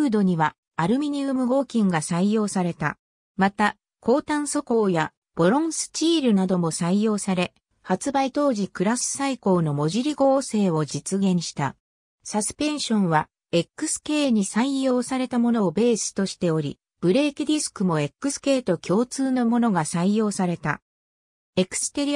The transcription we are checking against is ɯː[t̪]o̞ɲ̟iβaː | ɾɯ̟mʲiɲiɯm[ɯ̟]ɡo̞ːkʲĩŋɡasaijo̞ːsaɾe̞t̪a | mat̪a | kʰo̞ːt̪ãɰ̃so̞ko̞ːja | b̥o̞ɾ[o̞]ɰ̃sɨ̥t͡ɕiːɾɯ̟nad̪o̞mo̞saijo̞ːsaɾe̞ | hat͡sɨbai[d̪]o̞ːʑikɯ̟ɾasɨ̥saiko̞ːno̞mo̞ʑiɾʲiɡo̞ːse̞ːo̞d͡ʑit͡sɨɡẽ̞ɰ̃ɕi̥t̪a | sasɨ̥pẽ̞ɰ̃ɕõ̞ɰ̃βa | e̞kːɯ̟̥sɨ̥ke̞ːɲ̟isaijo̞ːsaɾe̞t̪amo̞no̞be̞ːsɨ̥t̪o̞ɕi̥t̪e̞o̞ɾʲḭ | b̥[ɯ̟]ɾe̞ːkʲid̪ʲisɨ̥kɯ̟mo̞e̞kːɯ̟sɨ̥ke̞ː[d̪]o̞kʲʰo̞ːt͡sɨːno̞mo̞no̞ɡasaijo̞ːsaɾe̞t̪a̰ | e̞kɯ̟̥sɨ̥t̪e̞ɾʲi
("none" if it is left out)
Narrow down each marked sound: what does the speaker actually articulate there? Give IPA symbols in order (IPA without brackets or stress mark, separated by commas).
d̪, ɯ̟, õ̞, t̪, ɯ̟, t̪